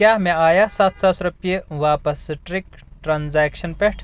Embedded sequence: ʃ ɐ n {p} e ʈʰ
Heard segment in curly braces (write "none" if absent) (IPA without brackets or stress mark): p